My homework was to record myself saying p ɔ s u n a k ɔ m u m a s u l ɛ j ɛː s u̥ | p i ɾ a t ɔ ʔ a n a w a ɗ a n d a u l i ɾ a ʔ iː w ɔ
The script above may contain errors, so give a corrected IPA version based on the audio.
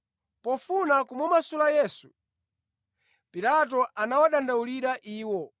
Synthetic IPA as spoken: p ɔ f u n a k u m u m a s u l a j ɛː s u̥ | p i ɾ a t ɔ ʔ a n a w a ɗ a n d a u l i ɾ a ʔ iː w ɔ